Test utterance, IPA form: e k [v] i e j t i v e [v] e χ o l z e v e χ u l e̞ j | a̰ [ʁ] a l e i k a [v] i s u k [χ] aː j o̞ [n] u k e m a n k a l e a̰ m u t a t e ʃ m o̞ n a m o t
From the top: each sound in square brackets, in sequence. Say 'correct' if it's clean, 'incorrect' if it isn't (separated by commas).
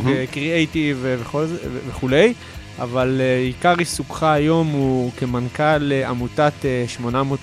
incorrect, correct, incorrect, incorrect, correct, incorrect